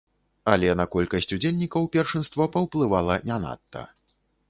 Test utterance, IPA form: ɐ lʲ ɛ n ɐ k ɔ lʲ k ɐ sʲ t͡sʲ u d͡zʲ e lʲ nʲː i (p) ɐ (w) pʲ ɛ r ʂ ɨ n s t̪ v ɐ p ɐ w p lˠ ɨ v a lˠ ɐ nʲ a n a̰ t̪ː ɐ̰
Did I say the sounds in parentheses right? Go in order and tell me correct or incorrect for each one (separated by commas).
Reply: incorrect, correct